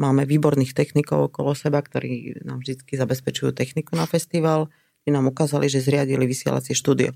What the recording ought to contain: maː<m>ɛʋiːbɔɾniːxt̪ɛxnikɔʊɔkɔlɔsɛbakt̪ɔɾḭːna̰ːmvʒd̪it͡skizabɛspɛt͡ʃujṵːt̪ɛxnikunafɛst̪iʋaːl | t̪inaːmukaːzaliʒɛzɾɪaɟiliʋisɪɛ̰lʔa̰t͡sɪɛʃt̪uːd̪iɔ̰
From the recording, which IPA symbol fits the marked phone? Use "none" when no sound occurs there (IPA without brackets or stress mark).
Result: m